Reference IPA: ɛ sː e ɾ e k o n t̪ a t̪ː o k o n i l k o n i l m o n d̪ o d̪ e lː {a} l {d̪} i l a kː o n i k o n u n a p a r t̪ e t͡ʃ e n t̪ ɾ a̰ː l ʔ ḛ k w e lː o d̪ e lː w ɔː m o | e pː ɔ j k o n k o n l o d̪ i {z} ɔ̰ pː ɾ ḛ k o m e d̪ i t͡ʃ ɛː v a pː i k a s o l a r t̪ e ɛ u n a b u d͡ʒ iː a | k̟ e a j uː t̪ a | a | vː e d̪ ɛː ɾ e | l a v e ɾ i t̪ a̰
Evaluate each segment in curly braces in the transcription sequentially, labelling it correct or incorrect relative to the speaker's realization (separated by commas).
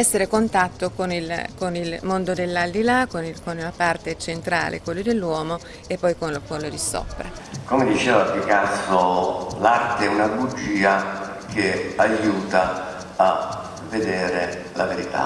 correct, correct, incorrect